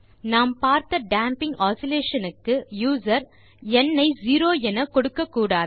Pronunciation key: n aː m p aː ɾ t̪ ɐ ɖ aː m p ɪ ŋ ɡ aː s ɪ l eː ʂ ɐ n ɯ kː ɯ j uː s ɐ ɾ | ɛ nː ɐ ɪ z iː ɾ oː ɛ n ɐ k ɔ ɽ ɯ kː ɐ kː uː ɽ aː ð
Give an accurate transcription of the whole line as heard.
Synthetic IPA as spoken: n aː m p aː ɾ t̪ ɐ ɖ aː m p ɪ ŋ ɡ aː s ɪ l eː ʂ ɐ n ɯ kː ɯ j uː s ɐ ɾ | ɛ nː ɐ ɪ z iː ɾ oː ɛ n ɐ k ɔ ɽ ɯ kː ɐ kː uː ɽ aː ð